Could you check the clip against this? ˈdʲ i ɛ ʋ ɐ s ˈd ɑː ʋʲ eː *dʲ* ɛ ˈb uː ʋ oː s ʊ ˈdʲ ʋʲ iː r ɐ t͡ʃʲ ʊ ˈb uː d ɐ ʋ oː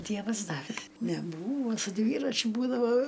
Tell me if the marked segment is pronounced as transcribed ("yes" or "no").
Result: no